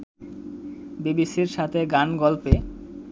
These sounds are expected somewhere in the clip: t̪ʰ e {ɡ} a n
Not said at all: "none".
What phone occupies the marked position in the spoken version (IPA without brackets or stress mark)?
ɡ